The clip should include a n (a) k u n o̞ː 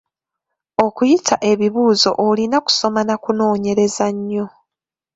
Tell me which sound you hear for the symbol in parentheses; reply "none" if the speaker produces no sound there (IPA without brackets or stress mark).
a